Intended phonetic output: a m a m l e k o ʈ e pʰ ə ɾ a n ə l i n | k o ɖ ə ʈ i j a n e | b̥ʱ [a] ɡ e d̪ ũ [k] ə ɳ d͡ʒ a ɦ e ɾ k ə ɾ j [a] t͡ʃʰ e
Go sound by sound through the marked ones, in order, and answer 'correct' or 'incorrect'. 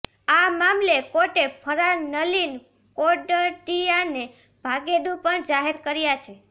correct, incorrect: p, correct

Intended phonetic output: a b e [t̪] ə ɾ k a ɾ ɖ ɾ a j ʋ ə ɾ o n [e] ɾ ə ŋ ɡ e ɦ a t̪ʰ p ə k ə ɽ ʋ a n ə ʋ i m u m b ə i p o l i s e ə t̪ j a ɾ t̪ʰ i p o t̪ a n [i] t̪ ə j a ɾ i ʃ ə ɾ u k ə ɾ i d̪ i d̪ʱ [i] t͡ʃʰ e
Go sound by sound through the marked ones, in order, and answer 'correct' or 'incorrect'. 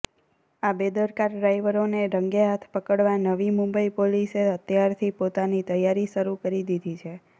incorrect: d̪, correct, correct, correct

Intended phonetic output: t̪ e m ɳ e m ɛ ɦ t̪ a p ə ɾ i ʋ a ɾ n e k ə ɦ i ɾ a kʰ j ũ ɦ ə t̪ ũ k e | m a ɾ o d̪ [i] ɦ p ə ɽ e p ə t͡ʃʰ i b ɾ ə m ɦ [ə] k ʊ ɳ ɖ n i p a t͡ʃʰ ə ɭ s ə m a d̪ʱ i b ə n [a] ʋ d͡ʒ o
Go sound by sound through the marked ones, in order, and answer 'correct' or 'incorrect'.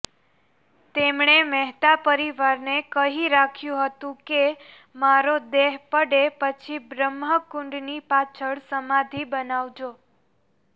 incorrect: e, correct, correct

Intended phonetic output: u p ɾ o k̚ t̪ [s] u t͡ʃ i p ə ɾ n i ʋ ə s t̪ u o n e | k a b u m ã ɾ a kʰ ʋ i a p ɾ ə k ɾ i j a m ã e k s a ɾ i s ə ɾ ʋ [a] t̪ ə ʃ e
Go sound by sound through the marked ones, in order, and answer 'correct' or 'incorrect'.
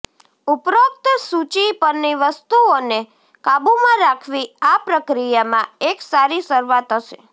correct, correct

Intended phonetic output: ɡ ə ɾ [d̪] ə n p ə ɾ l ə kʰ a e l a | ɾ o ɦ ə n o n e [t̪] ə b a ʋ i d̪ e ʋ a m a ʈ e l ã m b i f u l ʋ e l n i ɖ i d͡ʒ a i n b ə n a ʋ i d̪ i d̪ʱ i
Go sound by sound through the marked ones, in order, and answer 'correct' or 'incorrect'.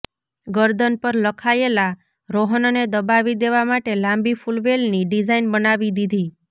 correct, incorrect: d̪

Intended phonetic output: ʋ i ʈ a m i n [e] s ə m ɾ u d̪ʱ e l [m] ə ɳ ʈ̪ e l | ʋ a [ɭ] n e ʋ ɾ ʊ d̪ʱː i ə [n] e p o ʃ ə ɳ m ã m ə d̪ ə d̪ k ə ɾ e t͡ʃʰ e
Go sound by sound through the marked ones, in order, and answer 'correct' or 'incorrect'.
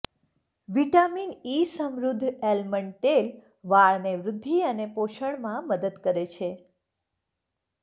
incorrect: i, correct, correct, correct

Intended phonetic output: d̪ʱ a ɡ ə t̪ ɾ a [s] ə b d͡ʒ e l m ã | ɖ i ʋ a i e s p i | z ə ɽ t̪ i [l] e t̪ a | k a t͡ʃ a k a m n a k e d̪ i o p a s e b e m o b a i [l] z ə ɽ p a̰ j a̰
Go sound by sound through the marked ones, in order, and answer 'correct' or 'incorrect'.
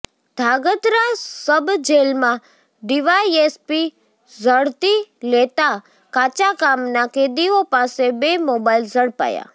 correct, correct, correct

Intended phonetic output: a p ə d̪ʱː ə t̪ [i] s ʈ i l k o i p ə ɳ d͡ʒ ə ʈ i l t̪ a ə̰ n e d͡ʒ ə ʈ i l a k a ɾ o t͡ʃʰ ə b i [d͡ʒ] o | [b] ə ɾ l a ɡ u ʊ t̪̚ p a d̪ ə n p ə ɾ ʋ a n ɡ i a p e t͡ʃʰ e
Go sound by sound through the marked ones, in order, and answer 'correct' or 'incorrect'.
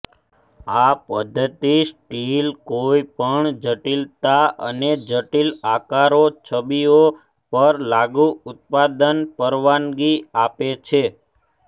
correct, incorrect: none, incorrect: p

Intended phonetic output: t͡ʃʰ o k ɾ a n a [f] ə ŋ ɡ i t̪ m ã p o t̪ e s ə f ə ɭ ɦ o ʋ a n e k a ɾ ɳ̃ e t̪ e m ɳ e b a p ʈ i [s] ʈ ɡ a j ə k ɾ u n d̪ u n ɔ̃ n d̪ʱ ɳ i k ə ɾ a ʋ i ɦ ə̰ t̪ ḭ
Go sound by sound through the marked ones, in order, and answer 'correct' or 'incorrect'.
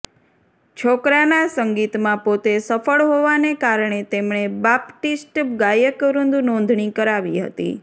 incorrect: s, correct

